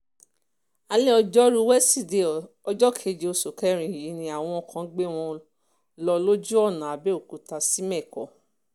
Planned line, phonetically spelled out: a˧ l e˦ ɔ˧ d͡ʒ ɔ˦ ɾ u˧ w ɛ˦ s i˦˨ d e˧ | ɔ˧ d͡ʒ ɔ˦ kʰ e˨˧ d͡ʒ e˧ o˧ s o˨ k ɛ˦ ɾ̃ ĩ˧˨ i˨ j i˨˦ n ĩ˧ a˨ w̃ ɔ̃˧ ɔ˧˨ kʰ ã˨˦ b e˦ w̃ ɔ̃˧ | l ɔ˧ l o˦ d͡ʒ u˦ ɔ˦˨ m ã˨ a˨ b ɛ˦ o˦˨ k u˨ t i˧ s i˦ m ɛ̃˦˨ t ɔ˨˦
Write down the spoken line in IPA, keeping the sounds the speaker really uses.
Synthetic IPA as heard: a˧ l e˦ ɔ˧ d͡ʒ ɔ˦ ɾ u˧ w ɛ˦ s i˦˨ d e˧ | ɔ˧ d͡ʒ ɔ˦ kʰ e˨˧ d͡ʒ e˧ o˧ s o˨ k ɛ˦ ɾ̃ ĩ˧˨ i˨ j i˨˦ n ĩ˧ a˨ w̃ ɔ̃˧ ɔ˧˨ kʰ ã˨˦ ɡ͡b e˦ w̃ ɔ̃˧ | l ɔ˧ l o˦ d͡ʒ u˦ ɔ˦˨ n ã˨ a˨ b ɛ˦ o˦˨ k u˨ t a˧ s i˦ m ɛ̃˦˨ k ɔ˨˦